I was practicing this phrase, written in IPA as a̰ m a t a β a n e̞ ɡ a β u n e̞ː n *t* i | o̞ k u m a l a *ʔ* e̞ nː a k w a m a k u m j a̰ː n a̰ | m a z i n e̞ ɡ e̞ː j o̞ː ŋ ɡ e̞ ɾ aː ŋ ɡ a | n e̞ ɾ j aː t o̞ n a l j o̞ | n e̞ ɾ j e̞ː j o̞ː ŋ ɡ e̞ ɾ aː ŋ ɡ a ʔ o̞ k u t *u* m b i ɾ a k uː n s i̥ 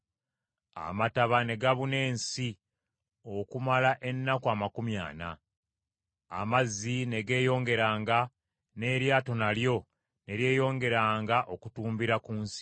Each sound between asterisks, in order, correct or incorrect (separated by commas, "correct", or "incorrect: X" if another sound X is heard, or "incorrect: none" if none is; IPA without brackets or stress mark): incorrect: s, correct, incorrect: uː